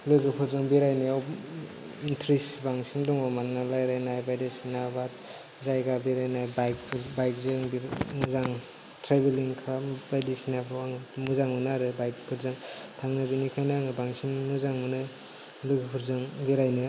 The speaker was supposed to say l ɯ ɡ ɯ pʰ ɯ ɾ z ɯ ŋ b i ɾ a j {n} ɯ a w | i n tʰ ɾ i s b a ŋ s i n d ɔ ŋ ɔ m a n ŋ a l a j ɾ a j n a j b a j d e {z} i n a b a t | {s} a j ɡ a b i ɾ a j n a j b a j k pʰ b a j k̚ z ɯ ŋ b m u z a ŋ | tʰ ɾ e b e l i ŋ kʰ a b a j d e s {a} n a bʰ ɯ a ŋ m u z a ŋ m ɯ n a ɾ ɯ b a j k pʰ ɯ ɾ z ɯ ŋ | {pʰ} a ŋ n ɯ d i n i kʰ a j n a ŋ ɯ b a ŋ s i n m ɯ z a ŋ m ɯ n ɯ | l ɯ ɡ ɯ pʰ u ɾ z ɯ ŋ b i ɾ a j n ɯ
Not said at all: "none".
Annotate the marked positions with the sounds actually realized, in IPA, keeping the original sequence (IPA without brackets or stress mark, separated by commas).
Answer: n, s, z, i, tʰ